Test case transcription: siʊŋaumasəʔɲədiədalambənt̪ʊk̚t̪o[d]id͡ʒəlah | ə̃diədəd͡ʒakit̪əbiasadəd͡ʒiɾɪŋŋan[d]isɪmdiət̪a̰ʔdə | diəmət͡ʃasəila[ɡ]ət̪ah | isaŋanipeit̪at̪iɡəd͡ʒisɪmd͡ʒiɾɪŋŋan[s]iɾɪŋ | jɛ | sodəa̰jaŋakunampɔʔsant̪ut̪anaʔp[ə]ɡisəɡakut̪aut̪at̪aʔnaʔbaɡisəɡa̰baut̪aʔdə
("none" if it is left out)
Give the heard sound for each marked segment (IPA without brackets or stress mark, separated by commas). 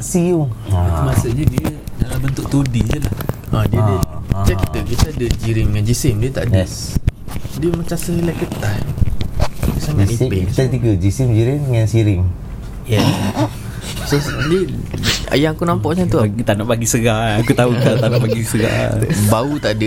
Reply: d, d͡ʒ, k, s, a